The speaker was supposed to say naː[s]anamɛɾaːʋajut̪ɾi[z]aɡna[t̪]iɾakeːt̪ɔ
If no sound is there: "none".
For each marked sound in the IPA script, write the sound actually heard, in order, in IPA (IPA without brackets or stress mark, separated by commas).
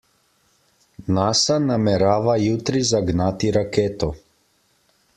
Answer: s, z, t̪